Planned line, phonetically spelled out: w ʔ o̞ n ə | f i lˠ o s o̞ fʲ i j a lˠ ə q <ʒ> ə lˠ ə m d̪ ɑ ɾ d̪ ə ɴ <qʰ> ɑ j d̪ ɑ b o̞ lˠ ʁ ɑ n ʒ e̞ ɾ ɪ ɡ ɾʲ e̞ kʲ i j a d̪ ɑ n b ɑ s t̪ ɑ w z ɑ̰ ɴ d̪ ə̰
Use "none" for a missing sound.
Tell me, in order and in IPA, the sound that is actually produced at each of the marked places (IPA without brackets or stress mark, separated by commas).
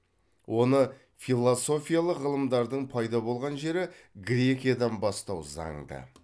ʁ, pʰ